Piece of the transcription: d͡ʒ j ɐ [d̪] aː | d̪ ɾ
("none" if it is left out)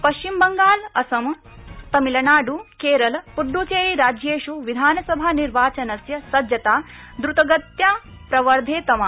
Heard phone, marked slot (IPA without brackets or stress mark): t̪